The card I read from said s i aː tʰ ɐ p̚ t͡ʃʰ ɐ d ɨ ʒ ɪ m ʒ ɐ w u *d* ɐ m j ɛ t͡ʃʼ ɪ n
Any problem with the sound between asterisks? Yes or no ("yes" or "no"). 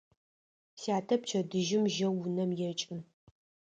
yes